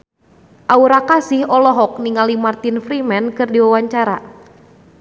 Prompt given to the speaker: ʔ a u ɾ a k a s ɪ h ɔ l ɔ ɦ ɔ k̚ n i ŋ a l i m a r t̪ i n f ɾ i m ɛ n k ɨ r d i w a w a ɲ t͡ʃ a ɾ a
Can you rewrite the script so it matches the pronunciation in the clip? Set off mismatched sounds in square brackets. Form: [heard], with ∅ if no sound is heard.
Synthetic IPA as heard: ʔ a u ɾ a k a s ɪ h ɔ l ɔ ɦ ɔ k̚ n i ŋ a l i m a r t̪ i n f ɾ i m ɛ n k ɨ r d i w a w a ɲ t͡ʃ a ɾ a